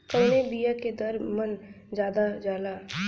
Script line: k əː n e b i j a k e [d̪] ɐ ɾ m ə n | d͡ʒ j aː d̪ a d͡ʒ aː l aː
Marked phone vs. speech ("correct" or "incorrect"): correct